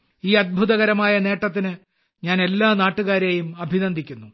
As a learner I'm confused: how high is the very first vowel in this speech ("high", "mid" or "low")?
high